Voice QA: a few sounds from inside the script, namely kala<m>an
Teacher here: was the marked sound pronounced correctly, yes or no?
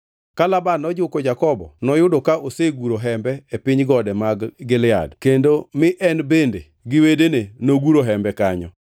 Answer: no